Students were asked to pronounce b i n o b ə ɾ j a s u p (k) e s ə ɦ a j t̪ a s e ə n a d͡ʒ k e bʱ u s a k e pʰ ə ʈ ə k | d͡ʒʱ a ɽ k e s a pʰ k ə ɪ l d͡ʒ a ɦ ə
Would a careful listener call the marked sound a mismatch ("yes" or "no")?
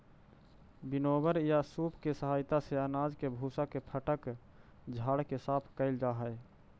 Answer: no